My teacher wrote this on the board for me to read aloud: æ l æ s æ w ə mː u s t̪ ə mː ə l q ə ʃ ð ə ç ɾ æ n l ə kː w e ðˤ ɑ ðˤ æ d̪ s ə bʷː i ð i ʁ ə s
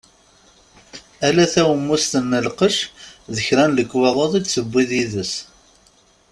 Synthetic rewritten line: æ l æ θ æ w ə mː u s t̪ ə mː ə l q ə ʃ ð ə ç ɾ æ n l ə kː w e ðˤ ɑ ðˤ i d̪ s ə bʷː i ð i ð ə s